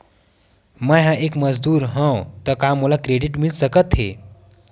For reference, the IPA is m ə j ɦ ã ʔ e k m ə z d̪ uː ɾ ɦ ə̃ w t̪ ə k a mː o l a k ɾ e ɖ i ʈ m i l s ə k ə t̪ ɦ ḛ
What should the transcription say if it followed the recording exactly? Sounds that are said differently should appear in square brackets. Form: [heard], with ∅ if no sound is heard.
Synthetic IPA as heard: m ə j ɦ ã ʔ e k m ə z d̪ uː ɾ ɦ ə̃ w t̪ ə k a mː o l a k ɾ e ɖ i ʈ m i l s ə k ə t̪ ɦ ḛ